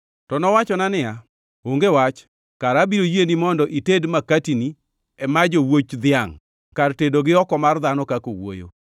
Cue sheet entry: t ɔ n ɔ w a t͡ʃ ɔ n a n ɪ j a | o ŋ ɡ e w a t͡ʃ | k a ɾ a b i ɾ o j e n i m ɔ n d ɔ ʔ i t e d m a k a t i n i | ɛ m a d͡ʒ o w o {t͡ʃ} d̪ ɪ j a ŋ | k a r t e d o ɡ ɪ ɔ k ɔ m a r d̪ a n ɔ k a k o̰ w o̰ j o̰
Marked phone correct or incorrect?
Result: correct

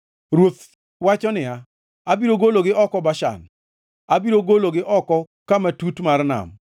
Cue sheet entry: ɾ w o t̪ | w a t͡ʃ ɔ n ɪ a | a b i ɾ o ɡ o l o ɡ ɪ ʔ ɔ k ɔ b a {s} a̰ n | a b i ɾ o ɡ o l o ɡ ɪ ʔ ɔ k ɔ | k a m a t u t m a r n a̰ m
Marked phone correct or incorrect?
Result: incorrect: ʃ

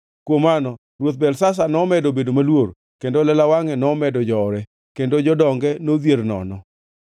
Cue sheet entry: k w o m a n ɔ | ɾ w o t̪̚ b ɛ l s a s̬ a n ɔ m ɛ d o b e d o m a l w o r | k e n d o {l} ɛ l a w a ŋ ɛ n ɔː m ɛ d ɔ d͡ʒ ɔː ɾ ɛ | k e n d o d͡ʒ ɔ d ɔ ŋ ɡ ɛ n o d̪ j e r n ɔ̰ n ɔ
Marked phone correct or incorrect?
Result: correct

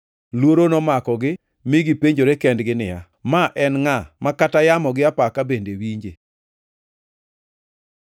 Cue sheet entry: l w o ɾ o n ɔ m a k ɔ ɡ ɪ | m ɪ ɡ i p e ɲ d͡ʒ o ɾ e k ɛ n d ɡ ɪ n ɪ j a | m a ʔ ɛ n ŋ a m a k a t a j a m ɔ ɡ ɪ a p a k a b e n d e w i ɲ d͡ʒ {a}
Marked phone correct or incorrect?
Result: incorrect: e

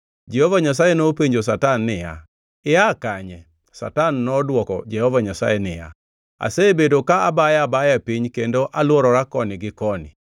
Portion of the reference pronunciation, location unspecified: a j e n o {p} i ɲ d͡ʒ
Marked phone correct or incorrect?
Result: correct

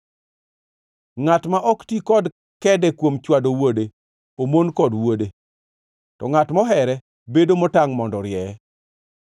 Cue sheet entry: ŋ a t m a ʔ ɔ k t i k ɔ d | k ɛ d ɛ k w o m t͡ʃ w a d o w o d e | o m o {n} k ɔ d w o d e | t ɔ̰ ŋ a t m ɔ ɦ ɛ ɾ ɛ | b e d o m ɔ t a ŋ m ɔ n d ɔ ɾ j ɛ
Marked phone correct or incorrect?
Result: correct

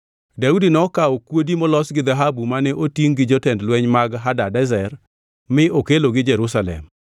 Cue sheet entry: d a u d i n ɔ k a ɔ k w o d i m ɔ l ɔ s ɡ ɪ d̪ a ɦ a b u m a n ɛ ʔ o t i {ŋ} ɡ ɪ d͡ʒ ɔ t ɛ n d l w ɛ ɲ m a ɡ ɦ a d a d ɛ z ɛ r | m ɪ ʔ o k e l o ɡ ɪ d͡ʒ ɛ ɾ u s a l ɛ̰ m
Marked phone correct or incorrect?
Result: correct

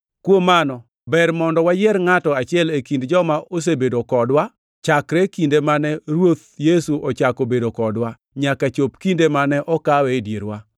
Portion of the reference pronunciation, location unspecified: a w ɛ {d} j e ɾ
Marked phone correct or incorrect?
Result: correct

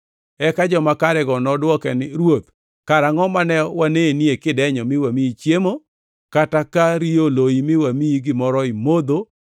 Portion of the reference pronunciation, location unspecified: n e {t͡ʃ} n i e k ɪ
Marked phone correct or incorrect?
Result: incorrect: none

